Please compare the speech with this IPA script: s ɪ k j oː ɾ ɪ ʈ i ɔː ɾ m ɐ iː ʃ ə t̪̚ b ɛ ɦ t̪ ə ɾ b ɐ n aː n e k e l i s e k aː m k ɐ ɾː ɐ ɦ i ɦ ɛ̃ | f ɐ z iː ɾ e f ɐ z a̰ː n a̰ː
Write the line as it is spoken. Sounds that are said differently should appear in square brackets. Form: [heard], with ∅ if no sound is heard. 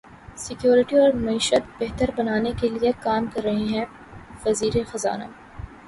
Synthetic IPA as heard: s ɪ k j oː ɾ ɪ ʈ i ɔː ɾ m ɐ iː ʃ ə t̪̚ b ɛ ɦ t̪ ə ɾ b ɐ n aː n e k e l i [∅] e k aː m k ɐ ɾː ɐ ɦ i ɦ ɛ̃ | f ɐ z iː ɾ e [x] ɐ z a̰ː n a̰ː